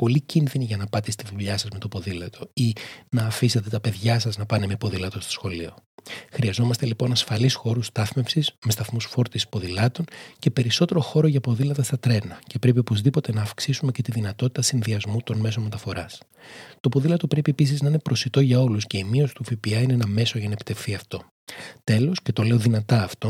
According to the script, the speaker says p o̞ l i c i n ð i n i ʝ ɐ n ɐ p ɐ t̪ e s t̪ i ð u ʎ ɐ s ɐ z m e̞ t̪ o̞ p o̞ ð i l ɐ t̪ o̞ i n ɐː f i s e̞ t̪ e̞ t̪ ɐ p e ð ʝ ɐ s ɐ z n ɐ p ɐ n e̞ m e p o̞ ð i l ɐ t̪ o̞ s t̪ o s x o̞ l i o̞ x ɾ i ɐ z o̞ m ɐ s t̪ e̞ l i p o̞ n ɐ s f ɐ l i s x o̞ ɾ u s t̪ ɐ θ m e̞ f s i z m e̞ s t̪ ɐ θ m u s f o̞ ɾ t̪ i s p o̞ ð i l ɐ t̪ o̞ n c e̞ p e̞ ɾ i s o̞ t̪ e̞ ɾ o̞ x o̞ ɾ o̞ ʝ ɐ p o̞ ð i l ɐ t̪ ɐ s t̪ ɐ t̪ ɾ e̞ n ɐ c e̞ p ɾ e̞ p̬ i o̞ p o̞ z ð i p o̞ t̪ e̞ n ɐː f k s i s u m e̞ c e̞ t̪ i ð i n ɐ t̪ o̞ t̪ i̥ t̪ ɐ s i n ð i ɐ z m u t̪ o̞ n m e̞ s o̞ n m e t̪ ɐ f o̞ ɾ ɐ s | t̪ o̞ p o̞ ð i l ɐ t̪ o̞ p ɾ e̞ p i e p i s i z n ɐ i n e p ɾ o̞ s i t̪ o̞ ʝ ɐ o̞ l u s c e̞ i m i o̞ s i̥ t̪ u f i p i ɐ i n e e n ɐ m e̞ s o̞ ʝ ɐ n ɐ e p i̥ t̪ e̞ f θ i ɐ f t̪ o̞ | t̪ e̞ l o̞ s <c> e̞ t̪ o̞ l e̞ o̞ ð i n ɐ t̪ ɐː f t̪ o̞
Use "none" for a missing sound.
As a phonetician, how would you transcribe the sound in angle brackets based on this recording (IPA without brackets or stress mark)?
c